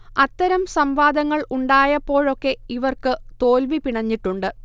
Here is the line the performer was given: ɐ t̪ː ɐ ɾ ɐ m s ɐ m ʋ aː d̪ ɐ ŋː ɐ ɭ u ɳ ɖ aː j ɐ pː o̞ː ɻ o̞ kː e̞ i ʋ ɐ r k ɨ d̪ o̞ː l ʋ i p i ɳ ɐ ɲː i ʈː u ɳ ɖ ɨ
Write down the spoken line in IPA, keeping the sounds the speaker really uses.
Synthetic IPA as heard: ɐ t̪ː ɐ ɾ ɐ m s ɐ m ʋ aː d̪ ɐ ŋː ɐ ɭ u ɳ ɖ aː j ɐ pː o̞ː ɻ o̞ kː e̞ i ʋ ɐ r k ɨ t̪ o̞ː l ʋ i p i ɳ ɐ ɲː i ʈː u ɳ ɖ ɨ